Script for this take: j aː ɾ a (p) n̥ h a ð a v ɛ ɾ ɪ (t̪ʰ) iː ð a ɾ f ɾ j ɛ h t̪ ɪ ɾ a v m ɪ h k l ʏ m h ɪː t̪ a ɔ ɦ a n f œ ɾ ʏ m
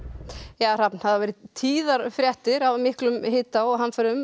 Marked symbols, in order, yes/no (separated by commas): yes, yes